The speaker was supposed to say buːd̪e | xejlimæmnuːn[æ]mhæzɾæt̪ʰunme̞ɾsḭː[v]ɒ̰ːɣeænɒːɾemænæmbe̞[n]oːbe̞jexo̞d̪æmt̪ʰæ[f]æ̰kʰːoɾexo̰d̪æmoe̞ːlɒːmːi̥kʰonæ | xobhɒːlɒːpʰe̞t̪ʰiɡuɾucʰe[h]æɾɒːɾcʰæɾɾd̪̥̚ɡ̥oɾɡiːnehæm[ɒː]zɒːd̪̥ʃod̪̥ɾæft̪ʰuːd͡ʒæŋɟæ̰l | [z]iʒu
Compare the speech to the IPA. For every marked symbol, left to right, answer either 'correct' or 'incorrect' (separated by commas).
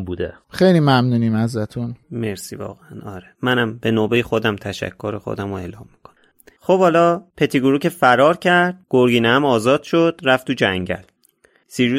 incorrect, correct, correct, incorrect, incorrect, correct, incorrect